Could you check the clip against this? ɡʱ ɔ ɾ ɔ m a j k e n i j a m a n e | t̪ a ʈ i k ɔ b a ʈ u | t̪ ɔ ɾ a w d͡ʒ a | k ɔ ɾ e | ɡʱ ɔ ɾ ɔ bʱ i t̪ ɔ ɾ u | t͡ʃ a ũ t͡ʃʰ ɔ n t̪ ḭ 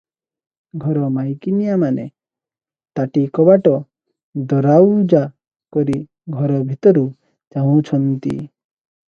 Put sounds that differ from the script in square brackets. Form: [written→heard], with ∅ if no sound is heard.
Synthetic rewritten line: ɡʱ ɔ ɾ ɔ m a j k [e→i] n i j a m a n e | t̪ a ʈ i k ɔ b a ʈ [u→ɔ] | [t̪→d̪] ɔ ɾ a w d͡ʒ a | k ɔ ɾ [e→i] | ɡʱ ɔ ɾ ɔ bʱ i t̪ ɔ ɾ u | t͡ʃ a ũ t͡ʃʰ ɔ n t̪ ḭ